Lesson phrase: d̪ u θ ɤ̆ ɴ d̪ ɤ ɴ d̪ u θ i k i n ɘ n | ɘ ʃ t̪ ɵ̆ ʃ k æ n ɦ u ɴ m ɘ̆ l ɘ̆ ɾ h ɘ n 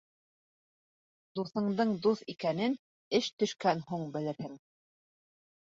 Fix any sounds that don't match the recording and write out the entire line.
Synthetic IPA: d̪ u θ ɤ̆ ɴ d̪ ɤ ɴ d̪ u θ i k æ n ɘ n | ɘ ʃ t̪ ɵ̆ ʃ k æ n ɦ u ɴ b ɘ̆ l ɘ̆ ɾ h ɘ ŋ